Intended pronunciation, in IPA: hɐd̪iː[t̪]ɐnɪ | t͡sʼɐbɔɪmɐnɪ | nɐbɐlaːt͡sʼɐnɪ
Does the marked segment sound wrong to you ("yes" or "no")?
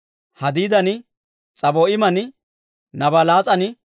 yes